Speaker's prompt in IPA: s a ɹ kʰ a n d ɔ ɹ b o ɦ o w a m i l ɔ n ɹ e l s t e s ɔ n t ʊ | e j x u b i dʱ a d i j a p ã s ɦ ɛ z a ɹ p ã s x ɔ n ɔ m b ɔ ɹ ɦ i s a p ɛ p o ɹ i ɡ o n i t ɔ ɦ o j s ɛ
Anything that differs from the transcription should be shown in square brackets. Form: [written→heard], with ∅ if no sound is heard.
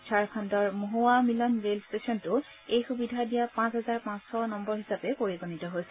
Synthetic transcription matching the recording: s a ɹ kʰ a n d ɔ ɹ [b→m] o ɦ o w a m i l ɔ n ɹ e l s t e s ɔ n t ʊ | e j x u b i dʱ a d i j a p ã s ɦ ɛ z a ɹ p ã s x ɔ n ɔ m b ɔ ɹ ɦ i s a p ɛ p o ɹ i ɡ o n i t ɔ ɦ o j s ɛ